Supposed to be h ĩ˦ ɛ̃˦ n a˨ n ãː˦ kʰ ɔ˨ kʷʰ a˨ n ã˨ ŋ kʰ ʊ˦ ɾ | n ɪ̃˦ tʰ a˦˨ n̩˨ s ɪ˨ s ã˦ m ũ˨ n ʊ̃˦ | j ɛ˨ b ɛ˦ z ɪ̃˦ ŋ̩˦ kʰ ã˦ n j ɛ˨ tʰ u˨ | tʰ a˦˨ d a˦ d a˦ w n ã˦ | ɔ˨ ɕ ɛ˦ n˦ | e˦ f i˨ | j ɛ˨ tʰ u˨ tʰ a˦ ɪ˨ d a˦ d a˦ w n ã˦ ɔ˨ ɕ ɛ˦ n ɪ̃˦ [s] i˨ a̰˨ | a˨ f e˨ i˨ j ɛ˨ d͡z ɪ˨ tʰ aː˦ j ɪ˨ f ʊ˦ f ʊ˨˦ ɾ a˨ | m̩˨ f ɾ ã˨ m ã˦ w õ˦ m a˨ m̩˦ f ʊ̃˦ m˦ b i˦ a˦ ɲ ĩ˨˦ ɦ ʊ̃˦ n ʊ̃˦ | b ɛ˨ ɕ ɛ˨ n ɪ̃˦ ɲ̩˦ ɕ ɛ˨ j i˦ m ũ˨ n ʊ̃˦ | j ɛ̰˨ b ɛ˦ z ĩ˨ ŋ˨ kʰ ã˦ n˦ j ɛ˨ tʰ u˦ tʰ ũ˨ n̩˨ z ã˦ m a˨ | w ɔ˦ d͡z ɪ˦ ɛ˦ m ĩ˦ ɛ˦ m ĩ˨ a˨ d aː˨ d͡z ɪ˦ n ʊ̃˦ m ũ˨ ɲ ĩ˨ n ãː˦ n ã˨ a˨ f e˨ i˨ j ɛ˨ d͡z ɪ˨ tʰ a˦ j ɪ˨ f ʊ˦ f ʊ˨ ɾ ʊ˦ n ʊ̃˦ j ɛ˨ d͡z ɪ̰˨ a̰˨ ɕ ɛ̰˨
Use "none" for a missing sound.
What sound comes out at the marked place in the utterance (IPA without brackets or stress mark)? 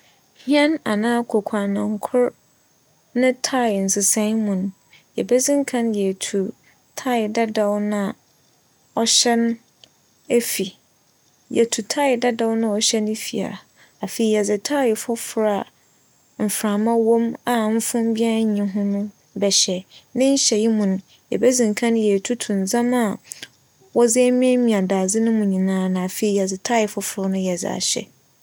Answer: f